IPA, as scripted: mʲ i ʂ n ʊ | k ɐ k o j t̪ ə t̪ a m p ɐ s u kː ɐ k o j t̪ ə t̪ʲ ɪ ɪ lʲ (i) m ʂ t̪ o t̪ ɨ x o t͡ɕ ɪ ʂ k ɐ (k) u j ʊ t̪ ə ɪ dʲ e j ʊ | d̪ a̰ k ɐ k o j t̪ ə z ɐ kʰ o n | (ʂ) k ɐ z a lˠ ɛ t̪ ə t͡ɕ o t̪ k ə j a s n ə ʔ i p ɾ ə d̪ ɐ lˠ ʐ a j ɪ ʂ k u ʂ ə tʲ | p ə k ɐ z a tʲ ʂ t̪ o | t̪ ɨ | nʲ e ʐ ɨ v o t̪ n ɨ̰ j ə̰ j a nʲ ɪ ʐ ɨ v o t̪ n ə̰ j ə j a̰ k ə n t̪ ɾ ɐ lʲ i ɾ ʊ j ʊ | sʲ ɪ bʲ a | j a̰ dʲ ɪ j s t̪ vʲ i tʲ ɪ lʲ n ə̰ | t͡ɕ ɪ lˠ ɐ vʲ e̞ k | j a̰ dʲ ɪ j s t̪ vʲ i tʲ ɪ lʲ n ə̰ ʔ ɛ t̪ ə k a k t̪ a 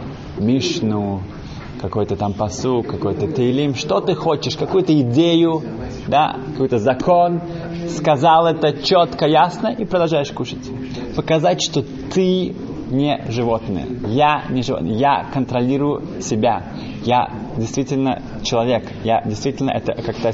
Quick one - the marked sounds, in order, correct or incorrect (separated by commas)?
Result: correct, correct, incorrect